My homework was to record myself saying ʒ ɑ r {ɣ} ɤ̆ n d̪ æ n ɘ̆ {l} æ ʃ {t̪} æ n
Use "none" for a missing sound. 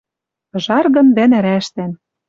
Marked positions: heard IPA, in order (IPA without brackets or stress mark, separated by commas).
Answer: ɣ, ɾ, t̪